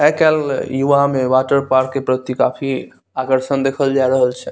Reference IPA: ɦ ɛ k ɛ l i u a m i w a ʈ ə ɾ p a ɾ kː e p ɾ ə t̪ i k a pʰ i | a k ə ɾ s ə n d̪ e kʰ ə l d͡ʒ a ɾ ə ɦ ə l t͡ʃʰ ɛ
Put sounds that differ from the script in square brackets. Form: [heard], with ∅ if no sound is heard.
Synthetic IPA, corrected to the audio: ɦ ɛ k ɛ l [j] u a m [e] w a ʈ ə ɾ p a ɾ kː e p ɾ ə t̪ i k a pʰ i | a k ə ɾ s ə n d̪ e kʰ ə l d͡ʒ a ɾ ə ɦ ə l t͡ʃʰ ɛ